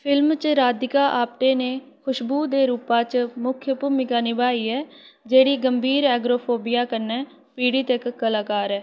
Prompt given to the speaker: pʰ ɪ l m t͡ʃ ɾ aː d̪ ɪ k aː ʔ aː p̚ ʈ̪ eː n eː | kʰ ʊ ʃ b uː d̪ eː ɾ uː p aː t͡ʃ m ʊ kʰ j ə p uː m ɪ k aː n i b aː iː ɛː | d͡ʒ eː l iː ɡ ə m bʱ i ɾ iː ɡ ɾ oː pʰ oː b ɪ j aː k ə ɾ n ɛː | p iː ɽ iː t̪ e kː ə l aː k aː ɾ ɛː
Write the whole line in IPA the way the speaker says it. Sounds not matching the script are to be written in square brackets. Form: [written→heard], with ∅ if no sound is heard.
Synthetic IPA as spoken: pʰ ɪ l m t͡ʃ ɾ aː d̪ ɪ k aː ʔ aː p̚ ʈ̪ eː n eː | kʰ ʊ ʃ b uː d̪ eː ɾ uː p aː t͡ʃ m ʊ kʰ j ə p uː m ɪ k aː n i b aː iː ɛː | d͡ʒ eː [l→ɽ] iː ɡ ə m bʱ [i→iː] ɾ [iː→ɛː] ɡ ɾ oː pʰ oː b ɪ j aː k ə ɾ n ɛː | p iː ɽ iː t̪ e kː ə l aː k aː ɾ ɛː